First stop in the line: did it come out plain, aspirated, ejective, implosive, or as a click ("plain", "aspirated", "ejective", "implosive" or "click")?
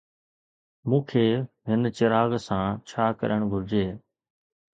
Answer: aspirated